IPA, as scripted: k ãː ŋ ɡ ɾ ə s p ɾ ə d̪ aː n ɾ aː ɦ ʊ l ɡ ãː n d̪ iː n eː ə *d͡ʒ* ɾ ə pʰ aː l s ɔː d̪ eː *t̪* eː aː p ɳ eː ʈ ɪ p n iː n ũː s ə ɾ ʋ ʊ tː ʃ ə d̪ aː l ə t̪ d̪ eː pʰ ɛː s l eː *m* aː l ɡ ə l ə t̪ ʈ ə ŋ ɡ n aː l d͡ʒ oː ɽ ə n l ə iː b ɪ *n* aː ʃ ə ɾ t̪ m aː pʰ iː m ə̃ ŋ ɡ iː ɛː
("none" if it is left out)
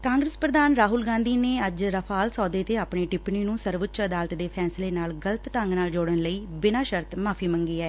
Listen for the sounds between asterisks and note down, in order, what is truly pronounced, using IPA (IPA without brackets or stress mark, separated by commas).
d͡ʒ, t̪, n, n